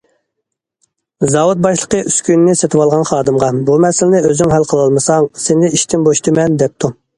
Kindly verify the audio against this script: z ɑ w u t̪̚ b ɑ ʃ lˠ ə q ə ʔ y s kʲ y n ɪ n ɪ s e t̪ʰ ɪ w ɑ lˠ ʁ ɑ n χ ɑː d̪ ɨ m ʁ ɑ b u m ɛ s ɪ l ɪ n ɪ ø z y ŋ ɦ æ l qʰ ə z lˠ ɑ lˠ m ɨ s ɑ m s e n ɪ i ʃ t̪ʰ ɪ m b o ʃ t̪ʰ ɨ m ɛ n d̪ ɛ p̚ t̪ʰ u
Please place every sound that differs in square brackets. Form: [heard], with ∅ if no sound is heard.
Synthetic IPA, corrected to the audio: z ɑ w u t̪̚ b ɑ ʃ lˠ ə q ə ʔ y s kʲ y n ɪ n ɪ s e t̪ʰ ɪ w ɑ lˠ ʁ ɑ n χ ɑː d̪ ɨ m ʁ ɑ b u m ɛ s ɪ l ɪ n ɪ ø z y ŋ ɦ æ l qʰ ə [∅] lˠ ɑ lˠ m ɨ s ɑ [ŋ] s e n ɪ i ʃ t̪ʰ ɪ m b o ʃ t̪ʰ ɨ m ɛ n d̪ ɛ p̚ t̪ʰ u